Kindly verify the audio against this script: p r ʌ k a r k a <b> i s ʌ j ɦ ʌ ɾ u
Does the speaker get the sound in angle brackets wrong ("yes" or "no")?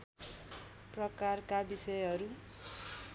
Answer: no